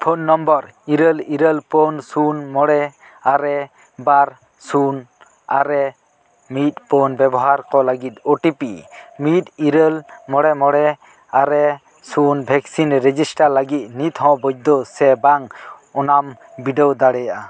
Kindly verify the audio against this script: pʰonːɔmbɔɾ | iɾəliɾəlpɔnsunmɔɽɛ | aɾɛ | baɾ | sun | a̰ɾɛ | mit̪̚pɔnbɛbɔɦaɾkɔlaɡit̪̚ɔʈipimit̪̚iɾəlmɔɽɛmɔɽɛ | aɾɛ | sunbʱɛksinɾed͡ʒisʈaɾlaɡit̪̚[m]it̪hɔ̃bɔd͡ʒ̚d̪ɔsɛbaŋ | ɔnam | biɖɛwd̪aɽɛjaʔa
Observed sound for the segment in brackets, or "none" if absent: n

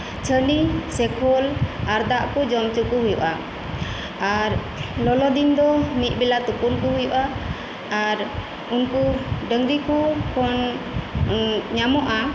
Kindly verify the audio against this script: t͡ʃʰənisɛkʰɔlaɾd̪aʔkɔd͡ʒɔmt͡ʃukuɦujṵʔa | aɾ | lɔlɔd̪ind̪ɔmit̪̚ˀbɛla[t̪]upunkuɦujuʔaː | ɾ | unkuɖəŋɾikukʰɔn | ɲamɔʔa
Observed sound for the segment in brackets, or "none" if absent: t̪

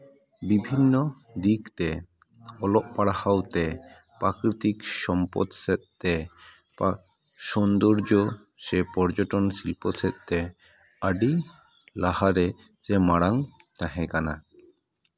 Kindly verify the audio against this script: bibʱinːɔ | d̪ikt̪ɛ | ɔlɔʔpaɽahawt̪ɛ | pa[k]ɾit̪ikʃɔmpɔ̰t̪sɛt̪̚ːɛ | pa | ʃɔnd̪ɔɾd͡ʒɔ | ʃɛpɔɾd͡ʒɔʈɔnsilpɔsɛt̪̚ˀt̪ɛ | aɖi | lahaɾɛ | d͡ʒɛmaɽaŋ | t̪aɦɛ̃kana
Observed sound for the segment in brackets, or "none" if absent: k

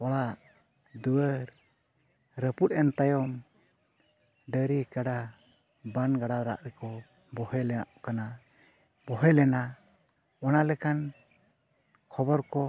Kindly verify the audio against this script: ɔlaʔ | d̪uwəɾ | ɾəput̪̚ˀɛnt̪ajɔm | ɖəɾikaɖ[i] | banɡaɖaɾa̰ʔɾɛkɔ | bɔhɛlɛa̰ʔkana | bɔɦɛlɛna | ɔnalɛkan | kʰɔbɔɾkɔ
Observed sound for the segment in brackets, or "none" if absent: a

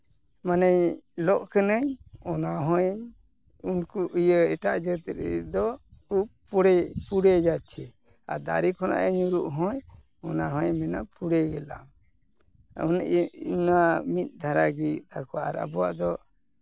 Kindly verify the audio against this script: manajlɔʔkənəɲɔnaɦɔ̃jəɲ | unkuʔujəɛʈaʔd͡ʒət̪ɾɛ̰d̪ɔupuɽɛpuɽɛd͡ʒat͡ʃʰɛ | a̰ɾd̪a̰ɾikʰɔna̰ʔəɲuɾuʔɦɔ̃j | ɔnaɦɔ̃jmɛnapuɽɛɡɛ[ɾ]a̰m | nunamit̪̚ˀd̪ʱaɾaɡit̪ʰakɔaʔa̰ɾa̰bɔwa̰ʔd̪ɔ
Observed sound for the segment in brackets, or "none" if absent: l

